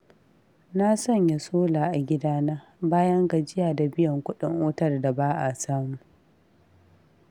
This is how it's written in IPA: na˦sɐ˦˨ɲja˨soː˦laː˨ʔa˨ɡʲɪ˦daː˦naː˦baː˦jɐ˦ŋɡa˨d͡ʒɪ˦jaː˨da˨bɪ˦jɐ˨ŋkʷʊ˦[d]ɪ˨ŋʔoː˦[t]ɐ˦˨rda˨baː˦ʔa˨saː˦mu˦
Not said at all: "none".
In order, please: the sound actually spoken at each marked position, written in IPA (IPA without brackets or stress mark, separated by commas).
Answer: ɗ, t